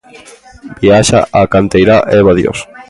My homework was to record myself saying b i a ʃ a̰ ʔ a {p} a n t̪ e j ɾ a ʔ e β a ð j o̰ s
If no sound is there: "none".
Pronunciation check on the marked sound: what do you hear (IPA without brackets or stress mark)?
k